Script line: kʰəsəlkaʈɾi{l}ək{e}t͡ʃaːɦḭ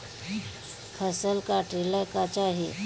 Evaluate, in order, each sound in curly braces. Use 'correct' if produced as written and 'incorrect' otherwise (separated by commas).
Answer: correct, incorrect